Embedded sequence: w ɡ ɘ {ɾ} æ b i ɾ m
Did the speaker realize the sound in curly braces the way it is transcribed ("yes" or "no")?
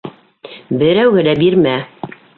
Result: no